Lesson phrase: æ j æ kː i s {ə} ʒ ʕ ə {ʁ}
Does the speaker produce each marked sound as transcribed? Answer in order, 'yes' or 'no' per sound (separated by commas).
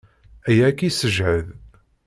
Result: yes, no